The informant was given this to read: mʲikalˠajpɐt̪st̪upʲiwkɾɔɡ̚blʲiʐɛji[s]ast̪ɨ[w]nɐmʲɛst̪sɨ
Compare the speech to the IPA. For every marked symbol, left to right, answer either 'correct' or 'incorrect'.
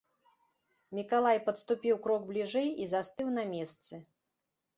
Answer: incorrect: z, correct

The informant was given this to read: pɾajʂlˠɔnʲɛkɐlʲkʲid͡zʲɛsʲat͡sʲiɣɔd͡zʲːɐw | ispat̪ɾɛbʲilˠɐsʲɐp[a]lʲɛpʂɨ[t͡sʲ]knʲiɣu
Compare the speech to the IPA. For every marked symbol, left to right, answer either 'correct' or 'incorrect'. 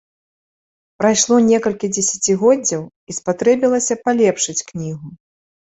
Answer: correct, correct

